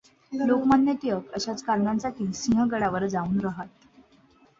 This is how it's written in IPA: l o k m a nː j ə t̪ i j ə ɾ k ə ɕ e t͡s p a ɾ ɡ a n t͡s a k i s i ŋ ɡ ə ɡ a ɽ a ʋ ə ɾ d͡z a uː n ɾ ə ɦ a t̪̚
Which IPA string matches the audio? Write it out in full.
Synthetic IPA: l o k m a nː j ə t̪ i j ə k ə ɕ a t͡s k a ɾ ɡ a n t͡s a k i s i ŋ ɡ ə ɡ ə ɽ a ʋ ə ɾ d͡z a uː n ɾ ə ɦ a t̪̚